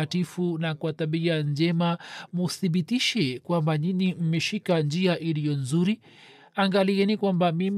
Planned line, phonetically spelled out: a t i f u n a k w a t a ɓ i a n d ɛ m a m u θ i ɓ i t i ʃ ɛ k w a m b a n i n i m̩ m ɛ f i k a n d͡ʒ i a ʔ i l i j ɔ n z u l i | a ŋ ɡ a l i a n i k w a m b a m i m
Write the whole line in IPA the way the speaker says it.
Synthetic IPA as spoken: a t i f u n a k w a t a ɓ i a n d͡ʒ ɛ m a m u θ i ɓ i t i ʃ ɛ k w a m b a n i n i m̩ m ɛ ʃ i k a n d͡ʒ i a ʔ i l i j ɔ n z u ɾ i | a ŋ ɡ a l i ɛ n i k w a m b a m i m